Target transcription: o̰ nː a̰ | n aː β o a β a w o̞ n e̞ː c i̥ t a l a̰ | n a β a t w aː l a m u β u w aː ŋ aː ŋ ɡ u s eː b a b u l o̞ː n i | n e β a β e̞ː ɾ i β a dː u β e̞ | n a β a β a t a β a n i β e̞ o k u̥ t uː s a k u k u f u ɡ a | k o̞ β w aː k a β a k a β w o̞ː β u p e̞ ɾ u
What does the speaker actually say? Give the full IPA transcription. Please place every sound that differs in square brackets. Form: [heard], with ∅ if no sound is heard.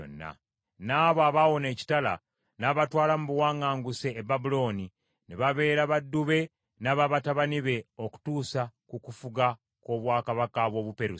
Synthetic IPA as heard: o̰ nː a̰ | n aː β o a β a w o̞ n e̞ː c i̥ t a l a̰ | n a β a t w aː l a m u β u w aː ŋ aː ŋ ɡ u s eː b a b u l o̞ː n i | n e β a β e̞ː ɾ [a] β a dː u β e̞ | n a β a β a t a β a n i β e̞ o k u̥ t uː s a k u k u f u ɡ a | k o̞ β w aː k a β a k a β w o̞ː β u p e̞ ɾ u

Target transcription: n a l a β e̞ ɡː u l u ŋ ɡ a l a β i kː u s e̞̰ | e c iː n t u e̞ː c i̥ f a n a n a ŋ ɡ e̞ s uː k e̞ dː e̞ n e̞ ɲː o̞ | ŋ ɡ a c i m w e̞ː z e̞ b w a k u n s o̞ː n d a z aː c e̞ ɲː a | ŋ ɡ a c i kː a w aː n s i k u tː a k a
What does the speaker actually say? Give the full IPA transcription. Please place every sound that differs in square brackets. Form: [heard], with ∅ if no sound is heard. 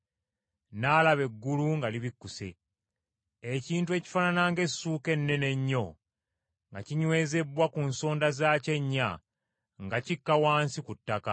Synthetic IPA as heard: n a l a β e̞ ɡː u l u ŋ ɡ a l [i] β i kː u s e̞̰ | e c iː n t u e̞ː c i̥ f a n a n a ŋ ɡ e̞ s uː k e̞ [nː] e̞ n e̞ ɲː o̞ | ŋ ɡ a c i [ɲ] w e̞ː z e̞ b w a k u n s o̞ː n d a z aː c e̞ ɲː a | ŋ ɡ a c i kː a w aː n s i k u tː a k a

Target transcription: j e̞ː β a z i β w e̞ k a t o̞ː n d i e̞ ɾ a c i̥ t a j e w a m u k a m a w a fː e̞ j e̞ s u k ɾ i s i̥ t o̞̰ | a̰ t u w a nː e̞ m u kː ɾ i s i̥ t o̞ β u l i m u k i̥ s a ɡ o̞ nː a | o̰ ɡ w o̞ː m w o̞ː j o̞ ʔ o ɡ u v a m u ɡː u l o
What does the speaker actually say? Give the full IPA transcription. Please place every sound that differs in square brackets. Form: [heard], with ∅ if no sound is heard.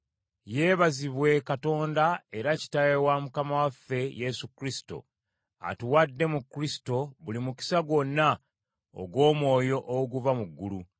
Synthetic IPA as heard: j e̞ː β a z i β w e̞ k a t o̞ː n d [a] e̞ ɾ a c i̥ t a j e w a m u k a m a w a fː e̞ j e̞ s u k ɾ i s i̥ t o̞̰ | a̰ t u w a [dː] e̞ m u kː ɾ i s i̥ t o̞ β u l i m u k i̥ s a ɡ o̞ nː a | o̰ ɡ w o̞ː m w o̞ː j o̞ ʔ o ɡ u v a m u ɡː u l [u]

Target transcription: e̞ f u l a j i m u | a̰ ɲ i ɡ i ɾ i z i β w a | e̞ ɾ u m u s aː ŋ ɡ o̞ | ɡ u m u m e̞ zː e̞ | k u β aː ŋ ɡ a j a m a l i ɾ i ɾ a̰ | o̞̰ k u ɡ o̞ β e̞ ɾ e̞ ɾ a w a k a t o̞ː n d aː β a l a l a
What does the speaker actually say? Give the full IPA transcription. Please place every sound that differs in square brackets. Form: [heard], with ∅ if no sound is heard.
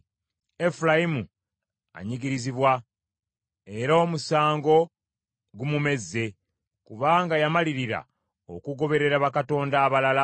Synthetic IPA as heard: e̞ f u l a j i m u | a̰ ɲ i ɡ i ɾ i z i β w a | e̞ ɾ [o] m u s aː ŋ ɡ o̞ | ɡ u m u m e̞ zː e̞ | k u β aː ŋ ɡ a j a m a l i ɾ i ɾ a̰ | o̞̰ k u ɡ o̞ β e̞ ɾ e̞ ɾ a [β] a k a t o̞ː n d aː β a l a l a

